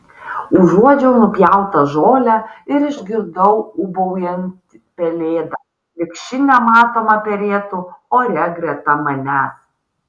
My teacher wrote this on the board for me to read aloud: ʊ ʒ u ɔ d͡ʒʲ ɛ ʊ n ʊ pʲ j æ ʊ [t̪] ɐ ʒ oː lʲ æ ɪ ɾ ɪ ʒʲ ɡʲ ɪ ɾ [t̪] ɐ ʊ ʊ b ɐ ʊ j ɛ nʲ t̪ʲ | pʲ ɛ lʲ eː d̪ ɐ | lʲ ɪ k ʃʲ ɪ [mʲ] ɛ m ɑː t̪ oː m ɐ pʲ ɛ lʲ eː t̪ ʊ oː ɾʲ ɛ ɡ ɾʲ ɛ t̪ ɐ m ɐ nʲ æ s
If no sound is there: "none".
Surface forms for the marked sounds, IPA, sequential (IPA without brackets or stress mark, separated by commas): t̪, d̪, nʲ